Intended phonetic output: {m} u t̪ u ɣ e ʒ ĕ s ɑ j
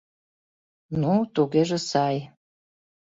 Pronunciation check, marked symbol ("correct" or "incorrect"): incorrect